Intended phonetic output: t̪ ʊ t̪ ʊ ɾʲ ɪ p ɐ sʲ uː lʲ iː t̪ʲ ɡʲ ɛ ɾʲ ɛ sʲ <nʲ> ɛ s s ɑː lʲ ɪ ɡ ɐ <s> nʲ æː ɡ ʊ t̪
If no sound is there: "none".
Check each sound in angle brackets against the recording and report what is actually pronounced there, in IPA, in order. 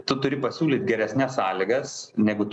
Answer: nʲ, s

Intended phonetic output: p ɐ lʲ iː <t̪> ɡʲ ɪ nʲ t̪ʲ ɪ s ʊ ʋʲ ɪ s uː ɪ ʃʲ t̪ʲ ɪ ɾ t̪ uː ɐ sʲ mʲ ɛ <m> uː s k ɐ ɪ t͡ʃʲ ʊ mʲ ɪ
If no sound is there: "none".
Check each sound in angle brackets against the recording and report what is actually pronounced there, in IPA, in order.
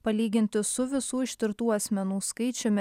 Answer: none, n

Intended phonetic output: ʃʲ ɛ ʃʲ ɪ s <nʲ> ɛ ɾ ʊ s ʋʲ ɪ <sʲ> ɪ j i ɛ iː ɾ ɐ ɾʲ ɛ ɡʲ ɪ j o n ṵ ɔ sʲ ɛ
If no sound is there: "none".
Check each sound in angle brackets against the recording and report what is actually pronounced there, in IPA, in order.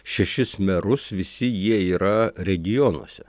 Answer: mʲ, sʲ

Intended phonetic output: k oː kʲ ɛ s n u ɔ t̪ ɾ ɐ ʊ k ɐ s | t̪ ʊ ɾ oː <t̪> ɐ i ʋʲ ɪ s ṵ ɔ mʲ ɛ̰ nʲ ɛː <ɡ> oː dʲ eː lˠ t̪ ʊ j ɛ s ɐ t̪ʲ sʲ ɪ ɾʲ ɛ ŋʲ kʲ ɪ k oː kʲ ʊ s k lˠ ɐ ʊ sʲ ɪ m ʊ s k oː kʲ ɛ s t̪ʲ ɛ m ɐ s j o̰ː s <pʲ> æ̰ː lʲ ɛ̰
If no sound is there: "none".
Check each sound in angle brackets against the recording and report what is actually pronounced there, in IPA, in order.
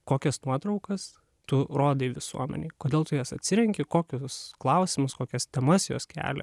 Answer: d̪, k, kʲ

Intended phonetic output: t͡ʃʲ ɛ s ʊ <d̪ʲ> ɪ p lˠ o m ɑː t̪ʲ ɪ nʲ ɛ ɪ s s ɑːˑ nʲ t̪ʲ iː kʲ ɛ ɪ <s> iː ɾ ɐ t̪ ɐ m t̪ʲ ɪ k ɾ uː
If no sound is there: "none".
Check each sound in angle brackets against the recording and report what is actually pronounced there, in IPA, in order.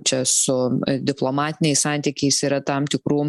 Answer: d̪ʲ, s

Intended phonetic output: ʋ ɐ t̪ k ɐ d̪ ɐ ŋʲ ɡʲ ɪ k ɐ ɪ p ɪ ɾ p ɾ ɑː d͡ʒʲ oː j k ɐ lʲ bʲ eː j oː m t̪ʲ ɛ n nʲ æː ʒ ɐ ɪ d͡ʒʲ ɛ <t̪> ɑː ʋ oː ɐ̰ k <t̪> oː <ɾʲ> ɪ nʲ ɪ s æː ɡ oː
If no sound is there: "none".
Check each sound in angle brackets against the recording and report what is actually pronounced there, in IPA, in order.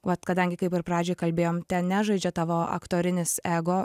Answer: t̪, t̪, ɾʲ

